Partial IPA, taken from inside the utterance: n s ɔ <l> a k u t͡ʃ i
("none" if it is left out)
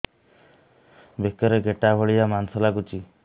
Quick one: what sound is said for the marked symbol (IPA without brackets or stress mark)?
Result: l